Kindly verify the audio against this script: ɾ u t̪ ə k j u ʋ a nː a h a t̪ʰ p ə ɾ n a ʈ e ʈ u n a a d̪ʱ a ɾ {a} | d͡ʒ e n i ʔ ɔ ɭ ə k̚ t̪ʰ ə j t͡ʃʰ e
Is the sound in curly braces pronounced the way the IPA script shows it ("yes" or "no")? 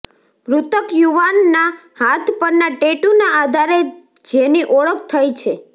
no